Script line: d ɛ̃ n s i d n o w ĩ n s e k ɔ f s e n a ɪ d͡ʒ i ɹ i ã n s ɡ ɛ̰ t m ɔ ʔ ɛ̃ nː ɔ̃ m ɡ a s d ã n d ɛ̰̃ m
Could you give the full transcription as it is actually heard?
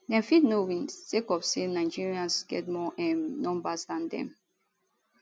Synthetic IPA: d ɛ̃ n f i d n o w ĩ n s e k ɔ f s e n a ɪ d͡ʒ i ɹ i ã n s ɡ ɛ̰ t m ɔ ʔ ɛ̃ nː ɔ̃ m b a s d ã n d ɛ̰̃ m